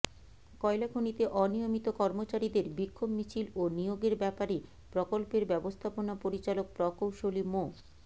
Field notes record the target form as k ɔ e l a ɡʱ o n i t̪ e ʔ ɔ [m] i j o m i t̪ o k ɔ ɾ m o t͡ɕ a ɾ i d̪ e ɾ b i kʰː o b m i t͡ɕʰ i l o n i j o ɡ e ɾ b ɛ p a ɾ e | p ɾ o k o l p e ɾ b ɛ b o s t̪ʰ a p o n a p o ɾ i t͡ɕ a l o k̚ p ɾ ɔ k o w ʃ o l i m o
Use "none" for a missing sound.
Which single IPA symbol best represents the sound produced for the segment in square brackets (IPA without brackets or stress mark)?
n